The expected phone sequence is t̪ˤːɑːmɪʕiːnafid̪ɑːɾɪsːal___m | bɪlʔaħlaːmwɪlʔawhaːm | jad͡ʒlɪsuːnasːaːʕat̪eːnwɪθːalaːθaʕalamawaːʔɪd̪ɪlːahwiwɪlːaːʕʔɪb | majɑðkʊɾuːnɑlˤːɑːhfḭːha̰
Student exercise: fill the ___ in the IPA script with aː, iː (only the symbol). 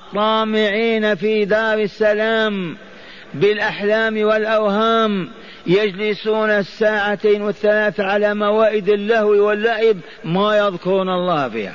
aː